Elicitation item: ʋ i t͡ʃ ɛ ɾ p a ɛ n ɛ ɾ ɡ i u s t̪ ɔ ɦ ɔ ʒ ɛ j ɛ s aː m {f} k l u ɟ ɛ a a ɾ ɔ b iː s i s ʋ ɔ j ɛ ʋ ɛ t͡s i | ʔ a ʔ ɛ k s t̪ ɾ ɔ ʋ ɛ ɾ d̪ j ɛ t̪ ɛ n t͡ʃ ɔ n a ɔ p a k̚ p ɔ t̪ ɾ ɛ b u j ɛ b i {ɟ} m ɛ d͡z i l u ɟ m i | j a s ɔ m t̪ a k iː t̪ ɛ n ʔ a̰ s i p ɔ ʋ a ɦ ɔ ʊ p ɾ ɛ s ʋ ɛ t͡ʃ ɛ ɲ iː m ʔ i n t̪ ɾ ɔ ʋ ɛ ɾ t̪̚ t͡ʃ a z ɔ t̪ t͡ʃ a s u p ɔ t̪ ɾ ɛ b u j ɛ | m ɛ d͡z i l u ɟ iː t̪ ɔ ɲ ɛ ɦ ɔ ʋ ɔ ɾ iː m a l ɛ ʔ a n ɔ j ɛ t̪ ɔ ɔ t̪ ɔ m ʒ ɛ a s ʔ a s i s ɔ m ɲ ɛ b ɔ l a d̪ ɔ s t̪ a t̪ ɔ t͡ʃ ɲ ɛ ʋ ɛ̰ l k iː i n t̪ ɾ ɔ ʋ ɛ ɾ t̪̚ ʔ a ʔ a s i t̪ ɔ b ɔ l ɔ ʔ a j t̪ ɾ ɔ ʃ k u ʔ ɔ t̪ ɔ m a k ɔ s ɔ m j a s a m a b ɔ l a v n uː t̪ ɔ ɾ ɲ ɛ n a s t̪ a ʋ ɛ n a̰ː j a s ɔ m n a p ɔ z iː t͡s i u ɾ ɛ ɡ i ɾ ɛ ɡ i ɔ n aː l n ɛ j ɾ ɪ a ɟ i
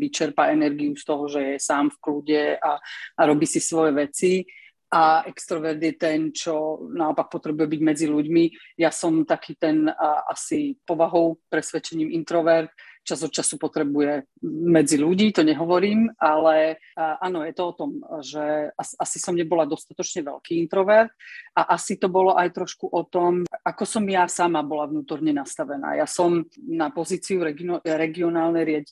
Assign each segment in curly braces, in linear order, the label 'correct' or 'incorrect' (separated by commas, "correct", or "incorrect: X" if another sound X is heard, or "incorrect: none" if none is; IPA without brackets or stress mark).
correct, correct